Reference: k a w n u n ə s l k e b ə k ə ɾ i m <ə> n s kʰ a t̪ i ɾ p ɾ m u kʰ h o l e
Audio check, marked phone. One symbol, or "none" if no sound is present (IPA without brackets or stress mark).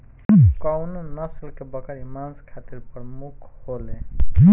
a